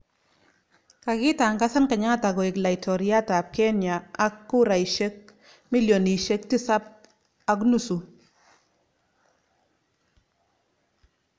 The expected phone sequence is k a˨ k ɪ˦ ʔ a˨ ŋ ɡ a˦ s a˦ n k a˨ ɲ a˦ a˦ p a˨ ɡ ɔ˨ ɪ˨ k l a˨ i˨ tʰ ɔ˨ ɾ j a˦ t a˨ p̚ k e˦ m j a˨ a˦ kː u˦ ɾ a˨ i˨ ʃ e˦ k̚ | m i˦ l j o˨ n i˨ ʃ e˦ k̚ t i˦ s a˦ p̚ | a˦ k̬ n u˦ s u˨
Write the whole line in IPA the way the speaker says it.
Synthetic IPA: k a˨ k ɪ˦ t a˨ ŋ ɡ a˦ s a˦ n k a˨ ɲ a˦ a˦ t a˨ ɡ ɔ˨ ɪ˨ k l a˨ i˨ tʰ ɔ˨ ɾ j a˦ t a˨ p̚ k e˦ n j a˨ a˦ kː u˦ ɾ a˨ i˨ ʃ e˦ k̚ | m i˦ l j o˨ n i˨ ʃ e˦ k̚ t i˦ s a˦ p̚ | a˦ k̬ n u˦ s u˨